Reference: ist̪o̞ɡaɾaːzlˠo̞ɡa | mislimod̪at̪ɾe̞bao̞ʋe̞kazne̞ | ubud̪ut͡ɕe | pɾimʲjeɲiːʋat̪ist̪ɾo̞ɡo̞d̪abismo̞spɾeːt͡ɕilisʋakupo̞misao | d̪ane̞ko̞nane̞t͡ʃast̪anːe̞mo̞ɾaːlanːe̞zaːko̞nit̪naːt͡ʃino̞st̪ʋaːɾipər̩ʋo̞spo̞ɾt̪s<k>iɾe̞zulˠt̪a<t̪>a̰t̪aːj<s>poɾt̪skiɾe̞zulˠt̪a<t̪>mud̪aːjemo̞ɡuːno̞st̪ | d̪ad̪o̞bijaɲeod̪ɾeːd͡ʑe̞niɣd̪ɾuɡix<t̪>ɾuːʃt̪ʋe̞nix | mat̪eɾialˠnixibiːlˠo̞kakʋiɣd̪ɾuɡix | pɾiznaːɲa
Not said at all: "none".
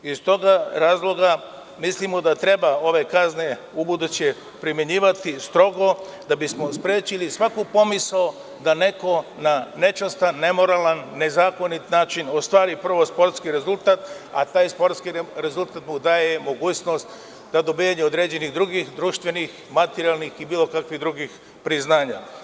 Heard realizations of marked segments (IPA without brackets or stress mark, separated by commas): k, t̪, s, t̪, d̪